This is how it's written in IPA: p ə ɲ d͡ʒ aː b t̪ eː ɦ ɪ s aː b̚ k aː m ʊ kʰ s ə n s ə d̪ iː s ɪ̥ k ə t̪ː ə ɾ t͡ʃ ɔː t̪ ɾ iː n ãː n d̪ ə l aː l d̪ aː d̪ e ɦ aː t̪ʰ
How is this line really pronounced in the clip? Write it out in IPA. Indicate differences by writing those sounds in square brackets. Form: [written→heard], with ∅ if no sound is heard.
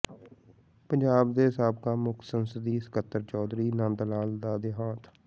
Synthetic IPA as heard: p ə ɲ d͡ʒ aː b [t̪→d̪] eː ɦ ɪ s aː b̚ k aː m ʊ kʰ s ə n s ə d̪ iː s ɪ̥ k ə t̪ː ə ɾ t͡ʃ ɔː [t̪→d̪] ɾ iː n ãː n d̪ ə l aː l d̪ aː d̪ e ɦ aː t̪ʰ